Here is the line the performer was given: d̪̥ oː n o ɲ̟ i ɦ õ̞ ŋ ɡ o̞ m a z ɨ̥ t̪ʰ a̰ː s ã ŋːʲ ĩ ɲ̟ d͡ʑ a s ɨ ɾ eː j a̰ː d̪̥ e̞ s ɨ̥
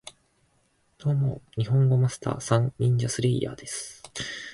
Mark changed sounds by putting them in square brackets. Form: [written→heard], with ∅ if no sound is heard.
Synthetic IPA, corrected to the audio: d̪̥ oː [n→m] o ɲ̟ i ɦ õ̞ ŋ ɡ o̞ m a [z→s] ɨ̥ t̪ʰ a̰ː s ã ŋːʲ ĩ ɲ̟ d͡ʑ a s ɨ ɾ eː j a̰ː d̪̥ e̞ s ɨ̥